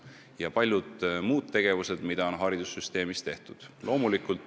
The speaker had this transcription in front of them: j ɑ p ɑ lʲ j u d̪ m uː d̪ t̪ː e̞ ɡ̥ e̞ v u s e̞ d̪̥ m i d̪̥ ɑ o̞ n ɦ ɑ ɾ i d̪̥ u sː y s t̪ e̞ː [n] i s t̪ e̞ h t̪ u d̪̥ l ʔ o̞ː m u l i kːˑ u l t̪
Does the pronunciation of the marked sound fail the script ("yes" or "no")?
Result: yes